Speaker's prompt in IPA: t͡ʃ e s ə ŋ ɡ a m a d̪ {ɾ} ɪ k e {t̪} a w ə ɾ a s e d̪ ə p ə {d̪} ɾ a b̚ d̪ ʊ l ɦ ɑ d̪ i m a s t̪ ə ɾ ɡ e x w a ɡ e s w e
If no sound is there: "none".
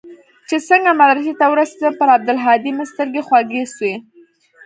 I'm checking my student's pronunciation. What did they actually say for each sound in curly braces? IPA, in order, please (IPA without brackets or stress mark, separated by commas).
ɾ, t̪, none